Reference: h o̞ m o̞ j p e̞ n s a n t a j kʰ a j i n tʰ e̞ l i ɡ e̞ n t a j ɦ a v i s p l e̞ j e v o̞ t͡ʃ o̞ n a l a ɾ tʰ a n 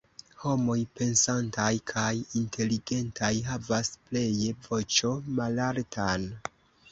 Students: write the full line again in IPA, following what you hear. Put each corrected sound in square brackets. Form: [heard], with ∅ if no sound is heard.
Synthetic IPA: h o̞ m o̞ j p e̞ n s a n t a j kʰ a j i n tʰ e̞ l i ɡ e̞ n t a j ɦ a v [a] s p l e̞ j e v o̞ t͡ʃ o̞ [m] a l a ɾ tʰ a n